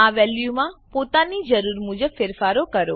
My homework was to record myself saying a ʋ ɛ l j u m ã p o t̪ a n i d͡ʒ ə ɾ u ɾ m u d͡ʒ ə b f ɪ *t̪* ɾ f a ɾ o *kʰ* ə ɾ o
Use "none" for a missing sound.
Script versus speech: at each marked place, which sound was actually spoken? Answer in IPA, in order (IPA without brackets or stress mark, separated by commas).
none, k